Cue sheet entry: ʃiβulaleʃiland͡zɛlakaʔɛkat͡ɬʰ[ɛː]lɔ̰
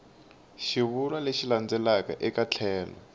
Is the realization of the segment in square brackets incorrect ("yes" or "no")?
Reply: no